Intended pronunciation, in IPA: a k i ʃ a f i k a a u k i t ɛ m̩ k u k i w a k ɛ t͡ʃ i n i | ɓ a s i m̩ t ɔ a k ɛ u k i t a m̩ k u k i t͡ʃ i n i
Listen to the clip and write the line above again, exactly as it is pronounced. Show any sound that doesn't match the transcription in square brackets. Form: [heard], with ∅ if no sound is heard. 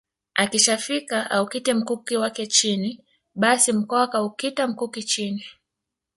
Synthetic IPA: a k i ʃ a f i k a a u k i t ɛ m̩ k u k i w a k ɛ t͡ʃ i n i | ɓ a s i m̩ [k] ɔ a k [a] u k i t a m̩ k u k i t͡ʃ i n i